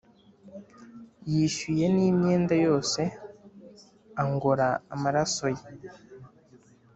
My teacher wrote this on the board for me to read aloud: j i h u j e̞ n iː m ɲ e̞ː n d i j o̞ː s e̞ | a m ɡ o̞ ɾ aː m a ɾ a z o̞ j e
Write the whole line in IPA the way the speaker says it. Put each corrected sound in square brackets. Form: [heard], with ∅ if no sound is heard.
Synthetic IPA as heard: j i [ʃ] u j e̞ n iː m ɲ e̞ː n d [a] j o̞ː s e̞ | a [ŋ] ɡ o̞ ɾ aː m a ɾ a [s] o̞ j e